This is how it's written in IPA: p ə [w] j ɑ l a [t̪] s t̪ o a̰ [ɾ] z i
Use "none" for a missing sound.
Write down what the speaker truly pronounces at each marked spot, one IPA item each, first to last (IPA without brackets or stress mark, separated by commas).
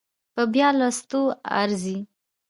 b, none, ɾ